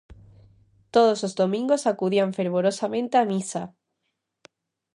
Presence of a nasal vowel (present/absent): present